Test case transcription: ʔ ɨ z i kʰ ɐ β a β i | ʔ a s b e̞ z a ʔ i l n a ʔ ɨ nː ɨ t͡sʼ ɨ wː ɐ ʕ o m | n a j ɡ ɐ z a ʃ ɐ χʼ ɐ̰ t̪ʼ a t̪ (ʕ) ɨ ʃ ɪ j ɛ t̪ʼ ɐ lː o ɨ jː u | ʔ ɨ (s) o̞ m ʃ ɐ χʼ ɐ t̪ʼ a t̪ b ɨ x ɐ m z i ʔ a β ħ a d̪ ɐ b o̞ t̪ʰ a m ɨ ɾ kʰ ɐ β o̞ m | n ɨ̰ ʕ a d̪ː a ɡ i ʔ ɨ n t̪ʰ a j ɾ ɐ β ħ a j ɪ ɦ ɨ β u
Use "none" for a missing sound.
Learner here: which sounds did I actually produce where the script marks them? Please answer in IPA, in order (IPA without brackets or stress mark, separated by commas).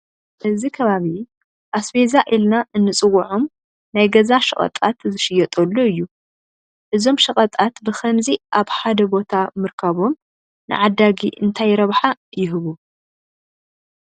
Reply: z, z